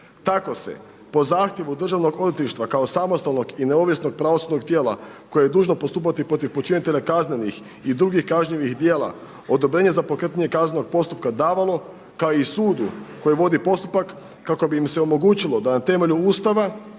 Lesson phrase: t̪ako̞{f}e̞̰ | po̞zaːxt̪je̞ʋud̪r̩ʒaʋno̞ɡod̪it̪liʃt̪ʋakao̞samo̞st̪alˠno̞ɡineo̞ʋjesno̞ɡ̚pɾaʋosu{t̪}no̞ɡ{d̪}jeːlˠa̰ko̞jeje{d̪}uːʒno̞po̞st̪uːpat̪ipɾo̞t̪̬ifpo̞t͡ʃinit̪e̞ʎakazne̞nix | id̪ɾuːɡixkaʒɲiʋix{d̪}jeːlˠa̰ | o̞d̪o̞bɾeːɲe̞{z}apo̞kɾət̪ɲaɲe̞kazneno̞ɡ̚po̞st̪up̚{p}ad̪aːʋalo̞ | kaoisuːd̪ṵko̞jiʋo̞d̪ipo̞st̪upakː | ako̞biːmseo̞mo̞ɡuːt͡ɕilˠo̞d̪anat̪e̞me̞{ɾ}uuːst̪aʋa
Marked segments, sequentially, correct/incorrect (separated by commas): incorrect, incorrect, incorrect, correct, correct, correct, incorrect, incorrect